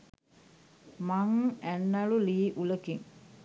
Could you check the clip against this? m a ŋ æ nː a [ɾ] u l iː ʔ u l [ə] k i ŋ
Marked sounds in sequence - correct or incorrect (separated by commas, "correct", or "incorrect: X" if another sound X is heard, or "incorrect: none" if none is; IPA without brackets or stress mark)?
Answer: incorrect: l, correct